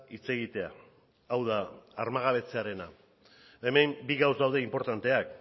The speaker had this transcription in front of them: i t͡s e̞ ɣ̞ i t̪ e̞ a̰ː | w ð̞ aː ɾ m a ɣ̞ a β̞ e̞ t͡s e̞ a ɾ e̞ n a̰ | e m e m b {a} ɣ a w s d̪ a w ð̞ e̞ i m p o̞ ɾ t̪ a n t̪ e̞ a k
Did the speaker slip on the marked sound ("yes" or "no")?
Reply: yes